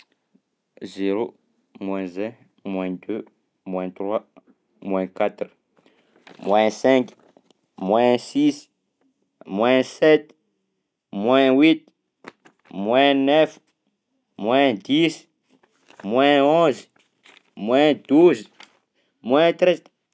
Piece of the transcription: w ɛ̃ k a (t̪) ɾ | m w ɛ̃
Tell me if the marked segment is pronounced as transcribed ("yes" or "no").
yes